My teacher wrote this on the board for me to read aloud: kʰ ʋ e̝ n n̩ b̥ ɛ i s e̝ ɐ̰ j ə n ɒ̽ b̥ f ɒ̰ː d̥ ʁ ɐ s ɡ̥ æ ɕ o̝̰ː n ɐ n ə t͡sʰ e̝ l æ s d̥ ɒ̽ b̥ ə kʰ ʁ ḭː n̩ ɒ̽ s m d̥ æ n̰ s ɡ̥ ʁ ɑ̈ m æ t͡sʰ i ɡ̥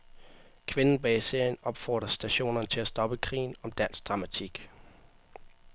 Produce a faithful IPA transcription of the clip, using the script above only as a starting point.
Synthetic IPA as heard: kʰ ʋ e̝ n n̩ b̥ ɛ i s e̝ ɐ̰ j ə n ɒ̽ b̥ f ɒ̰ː d̥ ʁ ɐ s d̥ æ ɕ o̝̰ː n ɐ n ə t͡sʰ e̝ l æ s d̥ ɒ̽ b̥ ə kʰ ʁ ḭː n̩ ɒ̽ m d̥ æ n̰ s d̥ ʁ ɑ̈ m æ t͡sʰ i ɡ̥